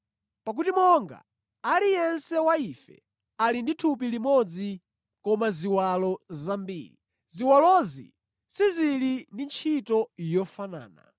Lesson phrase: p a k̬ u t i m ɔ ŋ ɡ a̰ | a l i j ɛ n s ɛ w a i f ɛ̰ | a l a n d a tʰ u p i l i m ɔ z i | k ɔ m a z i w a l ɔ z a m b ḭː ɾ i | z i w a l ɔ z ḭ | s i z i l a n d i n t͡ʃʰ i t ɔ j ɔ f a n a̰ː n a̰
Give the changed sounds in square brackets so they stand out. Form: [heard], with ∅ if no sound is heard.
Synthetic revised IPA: p a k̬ u t i m ɔ ŋ ɡ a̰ | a l i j ɛ n s ɛ w a i f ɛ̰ | a l [i] n d [i] tʰ u p i l i m ɔ [d͡z] i | k ɔ m a z i w a l ɔ z a m b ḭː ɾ i | z i w a l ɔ z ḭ | s i z i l [i] n d i n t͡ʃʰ i t ɔ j ɔ f a n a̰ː n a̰